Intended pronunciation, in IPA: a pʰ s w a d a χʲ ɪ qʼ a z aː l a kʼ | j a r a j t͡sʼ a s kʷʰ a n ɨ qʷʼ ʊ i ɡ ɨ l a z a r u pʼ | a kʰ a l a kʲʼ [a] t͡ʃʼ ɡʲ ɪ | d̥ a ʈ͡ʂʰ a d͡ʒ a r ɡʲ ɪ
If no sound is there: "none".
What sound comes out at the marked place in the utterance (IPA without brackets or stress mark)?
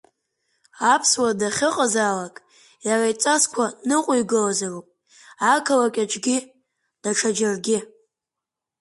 a